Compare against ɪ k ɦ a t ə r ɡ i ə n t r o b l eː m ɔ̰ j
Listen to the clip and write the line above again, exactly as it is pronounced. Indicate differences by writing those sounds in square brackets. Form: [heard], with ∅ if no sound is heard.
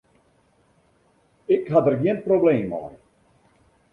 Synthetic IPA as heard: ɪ k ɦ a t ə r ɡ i ə n [p] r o b l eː m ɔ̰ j